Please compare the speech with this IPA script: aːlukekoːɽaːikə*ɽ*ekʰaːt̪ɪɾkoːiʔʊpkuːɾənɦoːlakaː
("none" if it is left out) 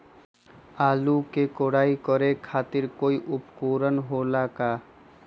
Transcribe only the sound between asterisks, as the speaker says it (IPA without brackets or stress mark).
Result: ɾ